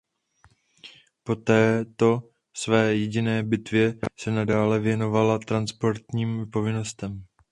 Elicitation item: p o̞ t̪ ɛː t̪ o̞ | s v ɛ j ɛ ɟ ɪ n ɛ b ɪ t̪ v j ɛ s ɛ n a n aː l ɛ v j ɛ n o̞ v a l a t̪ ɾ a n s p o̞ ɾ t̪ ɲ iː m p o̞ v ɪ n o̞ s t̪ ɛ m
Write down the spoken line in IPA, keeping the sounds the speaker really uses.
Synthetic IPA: p o̞ t̪ ɛː t̪ o̞ | s v ɛː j ɛ ɟ ɪ n ɛː b ɪ t̪ v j ɛ s ɛ n a d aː l ɛ v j ɛ n o̞ v a l a t̪ ɾ a n s p o̞ ɾ t̪ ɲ iː m p o̞ v ɪ n o̞ s t̪ ɛ m